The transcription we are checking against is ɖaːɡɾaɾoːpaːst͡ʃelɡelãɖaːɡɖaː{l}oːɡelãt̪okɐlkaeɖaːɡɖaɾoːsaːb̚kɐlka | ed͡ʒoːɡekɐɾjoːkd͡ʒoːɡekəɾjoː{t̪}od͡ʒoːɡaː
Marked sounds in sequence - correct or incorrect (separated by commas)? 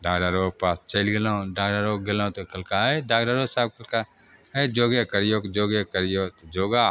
incorrect, correct